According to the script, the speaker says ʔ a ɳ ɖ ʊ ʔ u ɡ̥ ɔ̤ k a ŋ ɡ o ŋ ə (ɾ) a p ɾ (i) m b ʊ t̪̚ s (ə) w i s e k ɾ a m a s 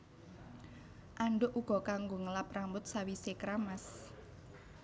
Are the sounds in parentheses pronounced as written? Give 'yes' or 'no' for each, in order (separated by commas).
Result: no, no, no